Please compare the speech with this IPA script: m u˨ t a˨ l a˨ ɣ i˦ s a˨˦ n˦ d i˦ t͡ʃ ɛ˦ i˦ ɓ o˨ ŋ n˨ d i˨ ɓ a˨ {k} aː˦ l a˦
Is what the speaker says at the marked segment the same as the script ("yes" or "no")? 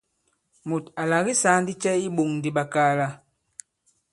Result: yes